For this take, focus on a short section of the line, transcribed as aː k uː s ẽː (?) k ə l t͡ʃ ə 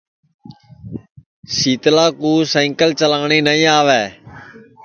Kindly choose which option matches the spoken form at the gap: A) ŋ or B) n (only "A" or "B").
A